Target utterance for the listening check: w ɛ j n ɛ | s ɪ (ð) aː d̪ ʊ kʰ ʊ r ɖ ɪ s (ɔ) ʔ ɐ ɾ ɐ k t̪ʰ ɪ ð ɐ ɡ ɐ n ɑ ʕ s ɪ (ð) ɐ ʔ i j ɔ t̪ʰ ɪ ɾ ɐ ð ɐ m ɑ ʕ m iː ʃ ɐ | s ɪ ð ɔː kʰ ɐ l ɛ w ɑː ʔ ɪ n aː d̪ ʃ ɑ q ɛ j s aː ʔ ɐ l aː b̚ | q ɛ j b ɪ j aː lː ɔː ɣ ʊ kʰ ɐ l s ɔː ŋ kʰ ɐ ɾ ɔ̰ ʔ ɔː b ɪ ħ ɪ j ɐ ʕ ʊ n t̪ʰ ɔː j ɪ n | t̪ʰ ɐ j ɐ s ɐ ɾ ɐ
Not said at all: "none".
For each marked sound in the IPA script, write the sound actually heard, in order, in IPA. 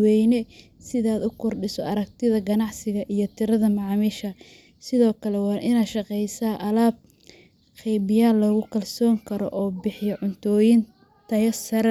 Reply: ð, ɔ, ɣ

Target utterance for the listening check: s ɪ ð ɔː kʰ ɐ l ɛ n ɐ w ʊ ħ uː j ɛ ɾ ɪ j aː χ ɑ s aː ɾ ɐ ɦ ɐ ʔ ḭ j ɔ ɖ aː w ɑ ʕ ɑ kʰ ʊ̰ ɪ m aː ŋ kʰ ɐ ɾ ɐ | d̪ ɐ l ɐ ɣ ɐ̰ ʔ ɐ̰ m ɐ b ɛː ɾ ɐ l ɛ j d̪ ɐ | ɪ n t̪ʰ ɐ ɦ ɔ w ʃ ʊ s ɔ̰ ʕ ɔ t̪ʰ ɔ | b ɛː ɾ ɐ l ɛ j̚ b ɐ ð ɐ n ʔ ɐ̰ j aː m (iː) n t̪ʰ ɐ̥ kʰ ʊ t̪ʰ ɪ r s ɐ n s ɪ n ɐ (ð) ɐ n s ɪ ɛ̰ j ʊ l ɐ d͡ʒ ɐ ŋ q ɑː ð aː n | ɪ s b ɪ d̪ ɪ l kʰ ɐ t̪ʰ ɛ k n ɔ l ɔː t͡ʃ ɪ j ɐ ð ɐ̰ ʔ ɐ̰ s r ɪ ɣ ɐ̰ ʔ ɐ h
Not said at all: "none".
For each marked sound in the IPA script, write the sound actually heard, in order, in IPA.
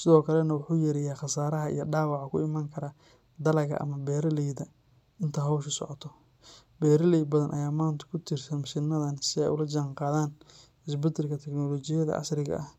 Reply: aː, ð

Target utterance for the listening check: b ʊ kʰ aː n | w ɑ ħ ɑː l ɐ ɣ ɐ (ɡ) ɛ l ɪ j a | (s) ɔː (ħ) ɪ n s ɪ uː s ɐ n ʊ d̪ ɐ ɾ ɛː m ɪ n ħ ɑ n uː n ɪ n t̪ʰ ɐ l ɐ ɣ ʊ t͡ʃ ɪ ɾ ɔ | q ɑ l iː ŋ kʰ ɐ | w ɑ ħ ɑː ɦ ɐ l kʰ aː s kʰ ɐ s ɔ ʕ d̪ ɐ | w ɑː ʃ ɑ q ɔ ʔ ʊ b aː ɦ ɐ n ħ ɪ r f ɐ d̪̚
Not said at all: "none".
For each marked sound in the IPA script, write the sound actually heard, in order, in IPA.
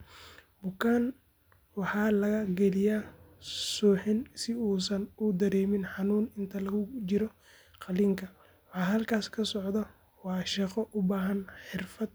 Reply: ɡ, s, ħ

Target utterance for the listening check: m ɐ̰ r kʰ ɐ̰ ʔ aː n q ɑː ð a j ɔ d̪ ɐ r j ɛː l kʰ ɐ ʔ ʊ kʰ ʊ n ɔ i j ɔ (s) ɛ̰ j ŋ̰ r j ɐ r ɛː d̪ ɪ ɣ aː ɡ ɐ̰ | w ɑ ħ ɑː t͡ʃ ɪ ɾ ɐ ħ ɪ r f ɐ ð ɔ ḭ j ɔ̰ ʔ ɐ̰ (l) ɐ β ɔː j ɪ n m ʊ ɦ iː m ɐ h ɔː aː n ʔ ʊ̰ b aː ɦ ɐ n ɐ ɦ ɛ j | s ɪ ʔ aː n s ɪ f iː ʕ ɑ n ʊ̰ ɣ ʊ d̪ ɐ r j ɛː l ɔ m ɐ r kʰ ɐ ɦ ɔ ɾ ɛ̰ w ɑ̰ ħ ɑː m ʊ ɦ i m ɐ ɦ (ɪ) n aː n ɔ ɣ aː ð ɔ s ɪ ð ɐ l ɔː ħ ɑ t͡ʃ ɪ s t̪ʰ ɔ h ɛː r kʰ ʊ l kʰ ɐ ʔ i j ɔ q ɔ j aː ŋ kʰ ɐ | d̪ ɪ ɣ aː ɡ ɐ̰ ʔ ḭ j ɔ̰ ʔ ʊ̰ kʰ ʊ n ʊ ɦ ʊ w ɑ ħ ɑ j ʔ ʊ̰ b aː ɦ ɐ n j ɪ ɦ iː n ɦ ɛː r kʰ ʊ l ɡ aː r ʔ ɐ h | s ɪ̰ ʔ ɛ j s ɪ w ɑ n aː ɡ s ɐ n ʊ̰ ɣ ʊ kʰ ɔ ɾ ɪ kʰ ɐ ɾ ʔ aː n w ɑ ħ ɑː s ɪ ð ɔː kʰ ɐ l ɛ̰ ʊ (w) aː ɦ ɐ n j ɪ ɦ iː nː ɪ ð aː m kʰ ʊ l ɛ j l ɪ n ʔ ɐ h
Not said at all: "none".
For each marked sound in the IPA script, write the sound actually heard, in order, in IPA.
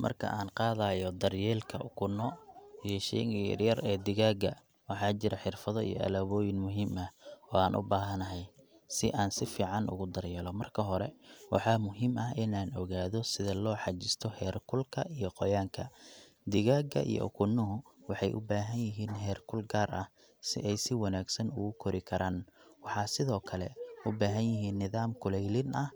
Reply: ʃ, l, ɪ, b

